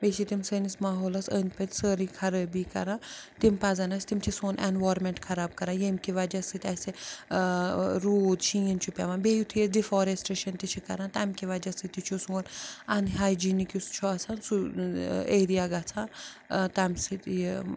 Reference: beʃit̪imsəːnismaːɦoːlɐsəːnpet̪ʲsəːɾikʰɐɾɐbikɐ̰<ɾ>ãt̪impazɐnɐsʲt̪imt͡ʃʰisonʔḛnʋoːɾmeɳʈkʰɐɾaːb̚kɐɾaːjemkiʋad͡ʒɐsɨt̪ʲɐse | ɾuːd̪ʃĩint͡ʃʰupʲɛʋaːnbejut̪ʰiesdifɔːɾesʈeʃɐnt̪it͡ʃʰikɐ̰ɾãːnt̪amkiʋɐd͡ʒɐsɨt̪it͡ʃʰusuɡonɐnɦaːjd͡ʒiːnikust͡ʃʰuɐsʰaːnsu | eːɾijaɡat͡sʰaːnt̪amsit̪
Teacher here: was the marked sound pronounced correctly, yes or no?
yes